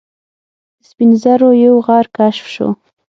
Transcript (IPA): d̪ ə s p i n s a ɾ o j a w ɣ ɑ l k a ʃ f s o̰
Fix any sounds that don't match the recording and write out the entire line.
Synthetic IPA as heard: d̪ ə s p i n z a ɾ o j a w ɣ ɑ ɾ k a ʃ f ʃ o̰